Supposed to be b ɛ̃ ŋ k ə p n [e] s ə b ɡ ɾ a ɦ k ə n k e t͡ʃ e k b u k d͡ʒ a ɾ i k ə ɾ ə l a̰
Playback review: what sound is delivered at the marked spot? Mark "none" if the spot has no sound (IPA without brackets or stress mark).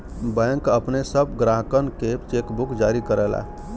e